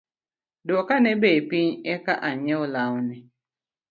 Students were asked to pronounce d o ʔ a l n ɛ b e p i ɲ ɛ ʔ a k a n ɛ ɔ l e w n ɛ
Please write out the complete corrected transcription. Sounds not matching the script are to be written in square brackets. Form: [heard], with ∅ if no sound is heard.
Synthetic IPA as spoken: d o [k] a [∅] n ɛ b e p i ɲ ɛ [k] a [ʔ] a [ɲ] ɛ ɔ l [a] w n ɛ